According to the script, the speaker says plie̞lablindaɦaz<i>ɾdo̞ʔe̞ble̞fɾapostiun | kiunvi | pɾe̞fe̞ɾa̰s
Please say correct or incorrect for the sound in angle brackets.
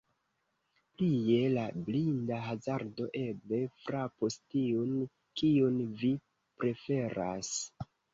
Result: incorrect